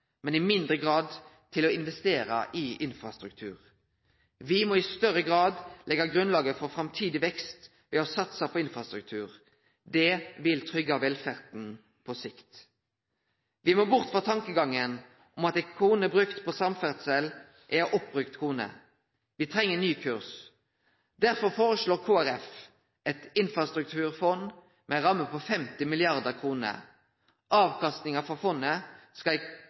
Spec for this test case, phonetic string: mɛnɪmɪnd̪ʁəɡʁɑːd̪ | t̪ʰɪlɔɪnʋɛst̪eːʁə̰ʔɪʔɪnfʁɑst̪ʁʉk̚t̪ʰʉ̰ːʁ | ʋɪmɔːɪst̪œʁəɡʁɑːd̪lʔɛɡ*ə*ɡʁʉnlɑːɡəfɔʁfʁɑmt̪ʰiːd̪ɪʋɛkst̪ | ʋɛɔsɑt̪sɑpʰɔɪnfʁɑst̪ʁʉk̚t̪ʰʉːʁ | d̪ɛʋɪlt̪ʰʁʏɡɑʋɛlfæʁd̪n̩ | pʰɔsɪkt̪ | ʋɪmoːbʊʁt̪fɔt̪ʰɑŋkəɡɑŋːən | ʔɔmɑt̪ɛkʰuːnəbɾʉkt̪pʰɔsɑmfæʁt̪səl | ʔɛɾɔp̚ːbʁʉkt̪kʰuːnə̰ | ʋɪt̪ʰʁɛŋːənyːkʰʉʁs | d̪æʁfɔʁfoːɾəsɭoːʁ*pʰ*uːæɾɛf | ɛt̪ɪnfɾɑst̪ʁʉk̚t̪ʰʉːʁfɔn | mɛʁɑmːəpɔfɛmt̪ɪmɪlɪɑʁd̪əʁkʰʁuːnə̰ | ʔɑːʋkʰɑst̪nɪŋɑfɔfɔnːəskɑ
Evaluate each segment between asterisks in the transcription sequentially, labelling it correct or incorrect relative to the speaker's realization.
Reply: incorrect, incorrect

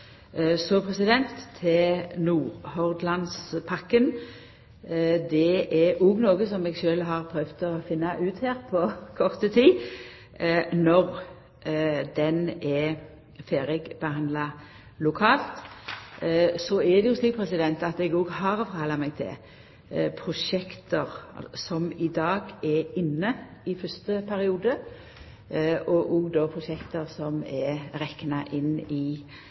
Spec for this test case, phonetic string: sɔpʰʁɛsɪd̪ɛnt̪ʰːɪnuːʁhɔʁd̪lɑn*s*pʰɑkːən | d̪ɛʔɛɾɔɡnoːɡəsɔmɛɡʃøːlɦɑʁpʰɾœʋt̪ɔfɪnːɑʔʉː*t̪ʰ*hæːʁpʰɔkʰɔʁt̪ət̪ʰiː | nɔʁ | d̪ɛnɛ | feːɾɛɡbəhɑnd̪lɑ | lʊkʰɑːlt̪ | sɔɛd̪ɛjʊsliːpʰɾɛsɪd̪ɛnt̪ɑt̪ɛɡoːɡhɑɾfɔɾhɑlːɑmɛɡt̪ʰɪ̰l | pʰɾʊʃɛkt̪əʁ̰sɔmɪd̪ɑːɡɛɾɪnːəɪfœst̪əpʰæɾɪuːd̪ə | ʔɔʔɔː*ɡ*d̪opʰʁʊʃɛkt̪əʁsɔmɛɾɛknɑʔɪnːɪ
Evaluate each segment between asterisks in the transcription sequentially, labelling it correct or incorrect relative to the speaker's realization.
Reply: correct, incorrect, correct

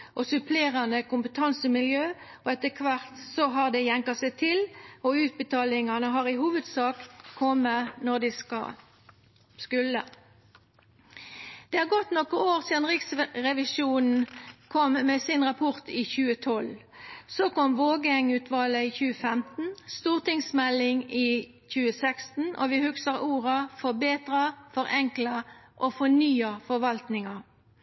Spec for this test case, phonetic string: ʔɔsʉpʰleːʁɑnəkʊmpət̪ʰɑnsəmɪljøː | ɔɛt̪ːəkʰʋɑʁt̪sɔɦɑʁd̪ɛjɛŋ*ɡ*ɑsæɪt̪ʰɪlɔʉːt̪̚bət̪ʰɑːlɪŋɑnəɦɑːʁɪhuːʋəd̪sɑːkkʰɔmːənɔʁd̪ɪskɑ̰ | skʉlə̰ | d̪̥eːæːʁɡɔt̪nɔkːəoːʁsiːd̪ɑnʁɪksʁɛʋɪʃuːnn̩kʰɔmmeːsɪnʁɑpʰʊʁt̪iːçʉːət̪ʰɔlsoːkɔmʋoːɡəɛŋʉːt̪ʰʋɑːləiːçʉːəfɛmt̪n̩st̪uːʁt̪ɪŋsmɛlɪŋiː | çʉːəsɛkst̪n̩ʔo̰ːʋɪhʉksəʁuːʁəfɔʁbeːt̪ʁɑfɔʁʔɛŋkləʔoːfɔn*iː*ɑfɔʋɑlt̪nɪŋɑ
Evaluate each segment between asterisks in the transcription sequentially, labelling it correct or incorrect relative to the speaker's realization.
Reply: incorrect, incorrect

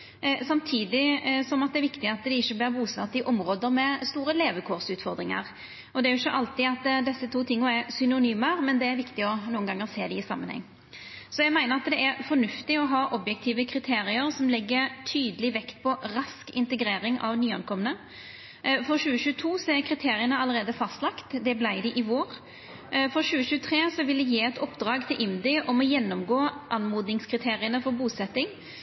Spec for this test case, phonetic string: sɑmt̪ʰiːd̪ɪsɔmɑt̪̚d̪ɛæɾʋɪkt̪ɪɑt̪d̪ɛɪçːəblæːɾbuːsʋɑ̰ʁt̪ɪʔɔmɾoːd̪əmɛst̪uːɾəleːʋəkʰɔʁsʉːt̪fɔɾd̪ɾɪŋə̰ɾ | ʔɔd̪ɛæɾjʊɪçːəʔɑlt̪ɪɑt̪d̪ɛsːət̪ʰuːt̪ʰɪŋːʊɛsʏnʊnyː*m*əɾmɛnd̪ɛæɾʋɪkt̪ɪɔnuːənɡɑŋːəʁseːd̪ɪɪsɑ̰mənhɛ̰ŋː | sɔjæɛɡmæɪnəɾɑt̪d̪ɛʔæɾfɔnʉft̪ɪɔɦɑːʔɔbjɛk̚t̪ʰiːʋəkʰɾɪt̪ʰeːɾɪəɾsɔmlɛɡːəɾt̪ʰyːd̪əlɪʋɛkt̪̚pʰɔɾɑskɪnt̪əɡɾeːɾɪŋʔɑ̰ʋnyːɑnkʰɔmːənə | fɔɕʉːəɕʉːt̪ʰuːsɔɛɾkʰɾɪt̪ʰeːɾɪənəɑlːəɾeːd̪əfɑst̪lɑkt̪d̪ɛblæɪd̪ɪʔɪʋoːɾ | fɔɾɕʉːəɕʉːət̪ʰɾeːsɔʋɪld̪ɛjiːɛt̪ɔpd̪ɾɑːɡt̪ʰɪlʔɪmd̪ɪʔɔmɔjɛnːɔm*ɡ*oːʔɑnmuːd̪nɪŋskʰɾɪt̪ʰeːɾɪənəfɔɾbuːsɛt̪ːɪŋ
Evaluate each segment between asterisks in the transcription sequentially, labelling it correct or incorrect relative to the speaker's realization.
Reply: correct, correct

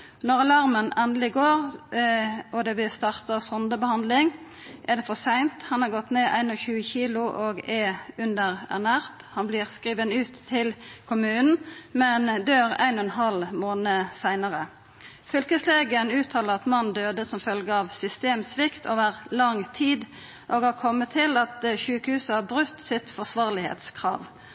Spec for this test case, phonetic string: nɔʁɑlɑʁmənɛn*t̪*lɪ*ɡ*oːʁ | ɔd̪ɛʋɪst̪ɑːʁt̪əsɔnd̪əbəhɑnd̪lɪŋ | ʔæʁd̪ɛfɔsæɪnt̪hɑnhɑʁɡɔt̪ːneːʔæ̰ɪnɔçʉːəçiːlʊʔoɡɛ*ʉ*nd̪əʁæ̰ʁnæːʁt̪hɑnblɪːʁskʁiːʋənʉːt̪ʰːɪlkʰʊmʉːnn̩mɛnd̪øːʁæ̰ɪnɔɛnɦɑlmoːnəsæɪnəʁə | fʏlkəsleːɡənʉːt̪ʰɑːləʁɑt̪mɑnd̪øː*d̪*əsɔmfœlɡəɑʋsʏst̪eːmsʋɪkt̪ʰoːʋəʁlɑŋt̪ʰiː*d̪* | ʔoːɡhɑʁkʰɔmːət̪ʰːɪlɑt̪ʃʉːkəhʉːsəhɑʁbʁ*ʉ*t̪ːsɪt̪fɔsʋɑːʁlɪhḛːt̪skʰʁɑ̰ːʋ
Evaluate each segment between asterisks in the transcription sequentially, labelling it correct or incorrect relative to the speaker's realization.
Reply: incorrect, correct, correct, correct, correct, correct

